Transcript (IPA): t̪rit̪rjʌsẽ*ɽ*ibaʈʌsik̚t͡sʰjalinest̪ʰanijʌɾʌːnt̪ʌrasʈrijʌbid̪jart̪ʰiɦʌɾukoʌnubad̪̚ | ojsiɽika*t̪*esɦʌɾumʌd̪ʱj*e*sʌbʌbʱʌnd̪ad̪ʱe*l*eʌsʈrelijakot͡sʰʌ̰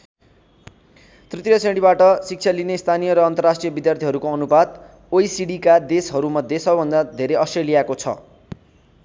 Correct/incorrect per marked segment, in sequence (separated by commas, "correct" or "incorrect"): correct, incorrect, correct, incorrect